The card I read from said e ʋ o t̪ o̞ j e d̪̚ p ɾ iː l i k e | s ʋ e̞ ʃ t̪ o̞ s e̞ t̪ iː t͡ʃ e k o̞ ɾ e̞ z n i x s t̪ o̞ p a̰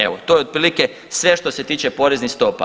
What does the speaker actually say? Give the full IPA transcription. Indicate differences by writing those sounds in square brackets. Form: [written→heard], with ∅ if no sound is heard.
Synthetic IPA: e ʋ o t̪ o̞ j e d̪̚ p ɾ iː l i k e | s ʋ e̞ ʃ t̪ o̞ s e̞ t̪ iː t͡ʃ e [k→p] o̞ ɾ e̞ z n i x s t̪ o̞ p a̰